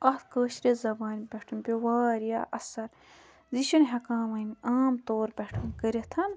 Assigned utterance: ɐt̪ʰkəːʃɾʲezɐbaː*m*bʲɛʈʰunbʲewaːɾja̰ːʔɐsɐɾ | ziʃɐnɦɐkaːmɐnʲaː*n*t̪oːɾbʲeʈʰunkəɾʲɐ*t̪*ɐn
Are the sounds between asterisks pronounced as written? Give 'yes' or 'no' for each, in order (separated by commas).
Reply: no, no, no